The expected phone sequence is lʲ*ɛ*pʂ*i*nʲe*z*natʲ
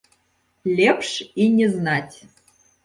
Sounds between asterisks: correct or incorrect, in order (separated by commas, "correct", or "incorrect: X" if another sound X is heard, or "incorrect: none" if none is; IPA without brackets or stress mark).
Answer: incorrect: e, correct, correct